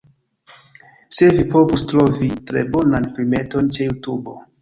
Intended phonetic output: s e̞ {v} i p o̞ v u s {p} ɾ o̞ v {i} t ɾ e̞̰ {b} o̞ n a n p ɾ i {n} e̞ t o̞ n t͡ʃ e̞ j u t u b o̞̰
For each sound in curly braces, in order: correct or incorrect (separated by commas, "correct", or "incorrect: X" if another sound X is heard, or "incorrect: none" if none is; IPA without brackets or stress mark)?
correct, incorrect: t, correct, correct, incorrect: m